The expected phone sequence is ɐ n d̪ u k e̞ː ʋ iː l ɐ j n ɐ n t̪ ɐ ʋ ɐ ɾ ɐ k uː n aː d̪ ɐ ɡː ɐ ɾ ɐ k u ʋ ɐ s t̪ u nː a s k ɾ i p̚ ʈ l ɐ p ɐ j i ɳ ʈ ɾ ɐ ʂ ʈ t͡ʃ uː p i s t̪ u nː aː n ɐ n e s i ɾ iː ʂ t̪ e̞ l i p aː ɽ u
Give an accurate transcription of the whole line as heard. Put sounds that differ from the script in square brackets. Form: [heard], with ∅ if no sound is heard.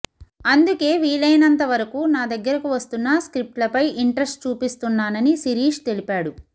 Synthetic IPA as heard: ɐ n d̪ u k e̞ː ʋ iː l ɐ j n ɐ n t̪ ɐ ʋ ɐ ɾ ɐ k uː n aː d̪ ɐ ɡː ɐ ɾ ɐ k u ʋ ɐ s t̪ u nː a s k ɾ i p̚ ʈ l ɐ p ɐ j i ɳ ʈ ɾ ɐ [s] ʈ t͡ʃ uː p i s t̪ u nː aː n ɐ n [i] s i ɾ iː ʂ t̪ e̞ l i p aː ɽ u